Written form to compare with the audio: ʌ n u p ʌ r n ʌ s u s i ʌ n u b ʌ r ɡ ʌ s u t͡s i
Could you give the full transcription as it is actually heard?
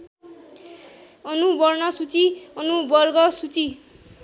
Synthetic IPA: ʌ n u b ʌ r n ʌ s u t͡s i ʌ n u b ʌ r ɡ ʌ s u t͡s i